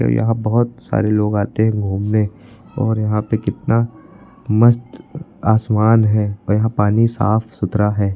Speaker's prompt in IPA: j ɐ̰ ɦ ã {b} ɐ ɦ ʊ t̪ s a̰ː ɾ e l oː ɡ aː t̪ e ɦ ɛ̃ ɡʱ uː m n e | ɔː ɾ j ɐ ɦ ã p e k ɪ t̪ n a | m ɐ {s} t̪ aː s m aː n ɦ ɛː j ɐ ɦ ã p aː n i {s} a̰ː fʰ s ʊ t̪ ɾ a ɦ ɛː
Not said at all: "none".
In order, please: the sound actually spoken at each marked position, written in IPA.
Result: b, s, s

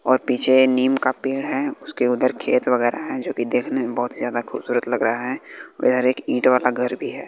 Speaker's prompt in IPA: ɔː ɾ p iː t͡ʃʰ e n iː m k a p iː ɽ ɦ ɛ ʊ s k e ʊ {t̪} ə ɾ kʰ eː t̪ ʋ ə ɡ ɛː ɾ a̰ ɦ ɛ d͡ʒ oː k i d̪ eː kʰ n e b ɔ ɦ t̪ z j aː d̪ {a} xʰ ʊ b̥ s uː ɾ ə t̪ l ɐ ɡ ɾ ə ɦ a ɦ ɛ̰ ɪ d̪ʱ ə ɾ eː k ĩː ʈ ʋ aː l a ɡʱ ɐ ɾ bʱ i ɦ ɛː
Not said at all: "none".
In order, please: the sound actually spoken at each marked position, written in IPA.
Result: d̪, a

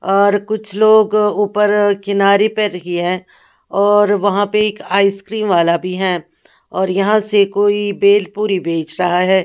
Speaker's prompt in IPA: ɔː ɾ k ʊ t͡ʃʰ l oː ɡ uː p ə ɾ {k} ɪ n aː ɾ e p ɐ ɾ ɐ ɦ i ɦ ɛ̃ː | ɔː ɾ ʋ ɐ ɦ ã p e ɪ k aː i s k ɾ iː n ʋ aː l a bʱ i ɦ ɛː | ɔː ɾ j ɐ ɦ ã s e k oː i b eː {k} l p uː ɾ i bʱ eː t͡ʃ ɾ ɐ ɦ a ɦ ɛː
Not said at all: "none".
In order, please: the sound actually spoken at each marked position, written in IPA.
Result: k, none

